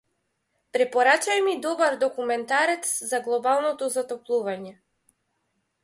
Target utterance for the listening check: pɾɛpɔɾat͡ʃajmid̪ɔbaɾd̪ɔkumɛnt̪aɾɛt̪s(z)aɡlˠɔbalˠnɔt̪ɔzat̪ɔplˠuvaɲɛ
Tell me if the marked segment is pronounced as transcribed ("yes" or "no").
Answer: yes